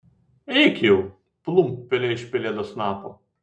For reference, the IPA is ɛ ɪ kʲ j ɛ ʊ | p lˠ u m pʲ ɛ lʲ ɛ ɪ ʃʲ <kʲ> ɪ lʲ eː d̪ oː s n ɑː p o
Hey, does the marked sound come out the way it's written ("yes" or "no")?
no